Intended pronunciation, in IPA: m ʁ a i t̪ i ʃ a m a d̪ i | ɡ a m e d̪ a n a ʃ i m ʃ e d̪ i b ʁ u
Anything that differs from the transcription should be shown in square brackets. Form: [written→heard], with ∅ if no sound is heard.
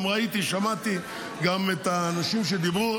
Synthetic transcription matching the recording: m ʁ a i t̪ i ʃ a m a [d̪→t̪] i | ɡ a m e [d̪→t̪] a n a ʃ i m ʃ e d̪ i b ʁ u